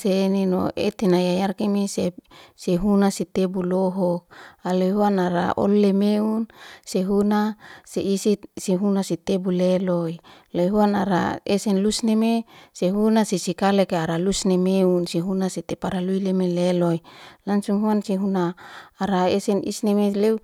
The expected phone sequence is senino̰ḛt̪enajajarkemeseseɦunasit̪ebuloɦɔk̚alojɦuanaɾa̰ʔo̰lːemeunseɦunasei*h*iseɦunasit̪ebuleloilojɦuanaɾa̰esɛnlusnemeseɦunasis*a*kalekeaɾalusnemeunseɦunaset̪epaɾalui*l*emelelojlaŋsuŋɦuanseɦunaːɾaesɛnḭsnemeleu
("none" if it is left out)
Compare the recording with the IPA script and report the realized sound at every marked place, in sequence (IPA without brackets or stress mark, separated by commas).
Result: s, i, l